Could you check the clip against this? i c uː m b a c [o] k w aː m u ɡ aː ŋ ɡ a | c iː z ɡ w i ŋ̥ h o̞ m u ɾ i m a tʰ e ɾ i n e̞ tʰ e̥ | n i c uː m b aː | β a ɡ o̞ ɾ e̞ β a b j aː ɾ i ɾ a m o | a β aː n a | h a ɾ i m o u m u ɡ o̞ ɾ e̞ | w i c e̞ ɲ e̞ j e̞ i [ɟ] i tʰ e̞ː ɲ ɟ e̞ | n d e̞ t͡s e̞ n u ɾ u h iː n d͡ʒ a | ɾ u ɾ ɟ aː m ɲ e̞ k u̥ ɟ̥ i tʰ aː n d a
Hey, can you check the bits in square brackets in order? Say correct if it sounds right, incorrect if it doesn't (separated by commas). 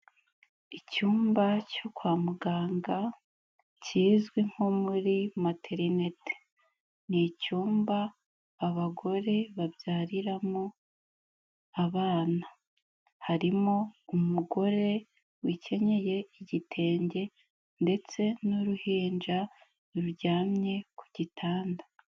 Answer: correct, correct